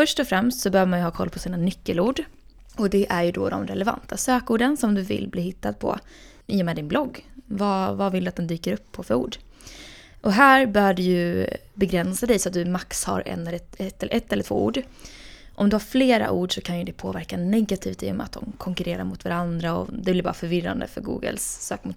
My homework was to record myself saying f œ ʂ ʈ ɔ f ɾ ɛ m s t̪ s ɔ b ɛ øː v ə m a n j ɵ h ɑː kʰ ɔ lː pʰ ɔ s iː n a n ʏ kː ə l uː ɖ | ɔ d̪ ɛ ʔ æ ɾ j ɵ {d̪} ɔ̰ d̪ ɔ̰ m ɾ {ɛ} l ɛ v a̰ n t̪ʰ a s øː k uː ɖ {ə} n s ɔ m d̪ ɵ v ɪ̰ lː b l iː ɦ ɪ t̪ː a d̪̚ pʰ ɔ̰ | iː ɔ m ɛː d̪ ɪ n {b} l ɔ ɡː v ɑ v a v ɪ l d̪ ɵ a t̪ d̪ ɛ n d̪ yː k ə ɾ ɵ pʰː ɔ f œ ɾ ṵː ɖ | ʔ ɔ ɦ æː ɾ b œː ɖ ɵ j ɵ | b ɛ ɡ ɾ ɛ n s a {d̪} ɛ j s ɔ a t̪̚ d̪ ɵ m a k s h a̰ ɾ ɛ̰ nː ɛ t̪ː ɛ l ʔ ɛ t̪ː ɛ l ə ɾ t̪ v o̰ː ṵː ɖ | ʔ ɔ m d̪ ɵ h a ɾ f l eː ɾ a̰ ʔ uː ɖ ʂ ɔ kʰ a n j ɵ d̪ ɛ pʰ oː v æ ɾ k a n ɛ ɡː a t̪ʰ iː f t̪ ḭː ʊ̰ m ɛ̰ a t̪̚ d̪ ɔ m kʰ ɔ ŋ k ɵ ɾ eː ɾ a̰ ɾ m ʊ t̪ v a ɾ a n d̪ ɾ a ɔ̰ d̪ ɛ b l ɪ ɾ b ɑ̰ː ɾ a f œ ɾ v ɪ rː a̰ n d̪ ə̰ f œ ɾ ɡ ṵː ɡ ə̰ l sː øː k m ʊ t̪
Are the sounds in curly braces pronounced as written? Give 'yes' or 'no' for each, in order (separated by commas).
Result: yes, yes, yes, yes, yes